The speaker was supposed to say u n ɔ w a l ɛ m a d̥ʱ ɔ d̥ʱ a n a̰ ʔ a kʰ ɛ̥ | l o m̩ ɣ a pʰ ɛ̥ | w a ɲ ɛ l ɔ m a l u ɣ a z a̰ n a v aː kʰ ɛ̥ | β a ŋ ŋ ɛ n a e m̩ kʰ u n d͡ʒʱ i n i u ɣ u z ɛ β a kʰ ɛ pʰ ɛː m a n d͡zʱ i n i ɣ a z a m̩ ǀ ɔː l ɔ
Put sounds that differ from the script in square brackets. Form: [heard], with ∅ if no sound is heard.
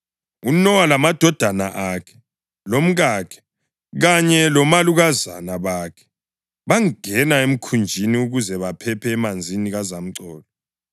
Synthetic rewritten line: u n ɔ w a l [a] m a d̥ʱ ɔ d̥ʱ a n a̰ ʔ a kʰ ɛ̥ | l o m̩ ɣ a [kʰ] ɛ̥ | [ɣ] a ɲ ɛ l ɔ m a l u ɣ a z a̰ n a [β] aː kʰ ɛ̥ | β a ŋ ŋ ɛ n a e m̩ kʰ u n d͡ʒʱ i n i u ɣ u z ɛ β a [pʰ] ɛ pʰ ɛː m a n d͡zʱ i n i ɣ a z a m̩ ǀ ɔː l ɔ